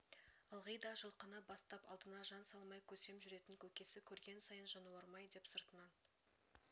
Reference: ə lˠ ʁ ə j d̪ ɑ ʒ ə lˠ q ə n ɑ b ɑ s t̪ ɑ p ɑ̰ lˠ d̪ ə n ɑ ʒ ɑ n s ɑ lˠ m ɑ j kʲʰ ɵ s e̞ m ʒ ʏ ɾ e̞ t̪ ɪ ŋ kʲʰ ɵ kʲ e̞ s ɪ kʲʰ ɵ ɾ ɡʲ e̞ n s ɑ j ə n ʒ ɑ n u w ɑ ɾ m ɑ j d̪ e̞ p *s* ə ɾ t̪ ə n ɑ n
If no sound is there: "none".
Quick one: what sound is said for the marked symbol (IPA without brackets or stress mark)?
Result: s